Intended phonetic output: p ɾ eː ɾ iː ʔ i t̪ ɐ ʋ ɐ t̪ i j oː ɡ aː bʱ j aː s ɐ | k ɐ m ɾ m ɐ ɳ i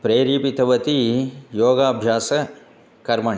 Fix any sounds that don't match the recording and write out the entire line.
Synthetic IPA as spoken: p ɾ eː ɾ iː p i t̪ ɐ ʋ ɐ t̪ i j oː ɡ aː bʱ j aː s ɐ | k ɐ ɾ m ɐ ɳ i